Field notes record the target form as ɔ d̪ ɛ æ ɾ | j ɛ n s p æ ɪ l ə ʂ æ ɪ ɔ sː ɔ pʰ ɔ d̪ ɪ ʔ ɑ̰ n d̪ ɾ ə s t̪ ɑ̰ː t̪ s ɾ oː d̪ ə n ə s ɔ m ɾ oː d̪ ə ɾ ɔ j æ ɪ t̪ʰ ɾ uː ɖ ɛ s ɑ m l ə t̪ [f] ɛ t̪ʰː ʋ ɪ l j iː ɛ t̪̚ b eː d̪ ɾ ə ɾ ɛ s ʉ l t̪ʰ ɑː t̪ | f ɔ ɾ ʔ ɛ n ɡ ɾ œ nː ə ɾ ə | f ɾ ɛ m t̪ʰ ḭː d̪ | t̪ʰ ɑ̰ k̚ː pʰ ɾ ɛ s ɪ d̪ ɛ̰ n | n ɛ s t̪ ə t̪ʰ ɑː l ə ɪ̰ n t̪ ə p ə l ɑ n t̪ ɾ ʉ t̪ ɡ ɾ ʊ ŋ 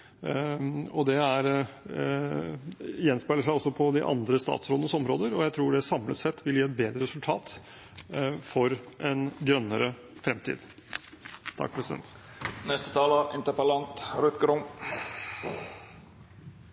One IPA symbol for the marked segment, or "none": s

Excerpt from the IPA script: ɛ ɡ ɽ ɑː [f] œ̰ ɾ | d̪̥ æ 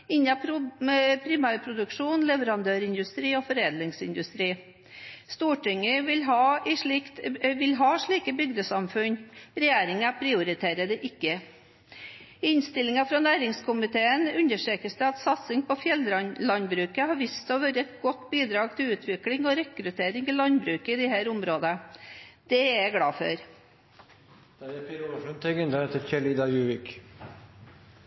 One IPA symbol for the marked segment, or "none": f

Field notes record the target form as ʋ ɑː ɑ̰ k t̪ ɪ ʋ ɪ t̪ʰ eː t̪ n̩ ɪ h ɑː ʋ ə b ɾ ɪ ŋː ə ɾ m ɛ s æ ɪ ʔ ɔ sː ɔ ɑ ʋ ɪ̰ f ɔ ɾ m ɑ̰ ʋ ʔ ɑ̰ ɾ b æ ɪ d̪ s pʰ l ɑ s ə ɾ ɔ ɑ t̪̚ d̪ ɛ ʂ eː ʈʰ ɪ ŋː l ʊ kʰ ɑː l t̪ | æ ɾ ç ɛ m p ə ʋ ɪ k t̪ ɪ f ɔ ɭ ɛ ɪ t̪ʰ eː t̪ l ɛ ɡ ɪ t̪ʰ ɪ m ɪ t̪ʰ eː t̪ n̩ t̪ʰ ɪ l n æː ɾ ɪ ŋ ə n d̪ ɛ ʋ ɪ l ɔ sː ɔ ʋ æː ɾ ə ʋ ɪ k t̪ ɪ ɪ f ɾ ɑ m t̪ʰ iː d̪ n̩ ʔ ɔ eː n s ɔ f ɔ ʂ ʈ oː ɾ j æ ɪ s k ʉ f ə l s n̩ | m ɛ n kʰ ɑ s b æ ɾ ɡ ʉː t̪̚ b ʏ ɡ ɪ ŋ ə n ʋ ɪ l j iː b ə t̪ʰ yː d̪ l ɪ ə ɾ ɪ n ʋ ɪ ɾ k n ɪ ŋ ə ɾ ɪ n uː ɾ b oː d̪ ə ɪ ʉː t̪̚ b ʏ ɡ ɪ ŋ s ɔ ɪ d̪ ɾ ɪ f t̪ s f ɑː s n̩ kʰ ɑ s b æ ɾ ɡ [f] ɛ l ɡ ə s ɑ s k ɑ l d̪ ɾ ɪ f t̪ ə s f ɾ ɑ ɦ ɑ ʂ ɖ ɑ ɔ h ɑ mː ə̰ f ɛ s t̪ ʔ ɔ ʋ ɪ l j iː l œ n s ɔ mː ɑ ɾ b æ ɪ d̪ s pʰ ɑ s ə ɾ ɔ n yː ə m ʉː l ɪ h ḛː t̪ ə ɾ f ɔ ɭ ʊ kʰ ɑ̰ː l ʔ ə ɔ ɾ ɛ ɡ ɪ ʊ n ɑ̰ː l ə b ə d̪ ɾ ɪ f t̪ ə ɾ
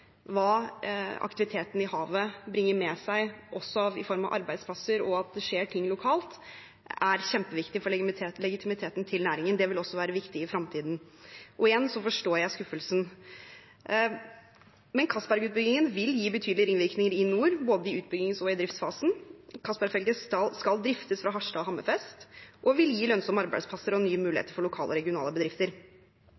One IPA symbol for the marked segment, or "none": f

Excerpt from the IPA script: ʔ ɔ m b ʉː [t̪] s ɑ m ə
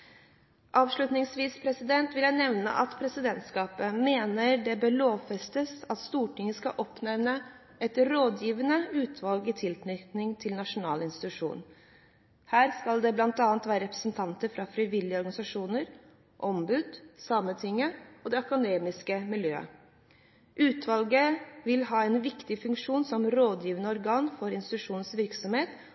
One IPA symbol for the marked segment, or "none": d̪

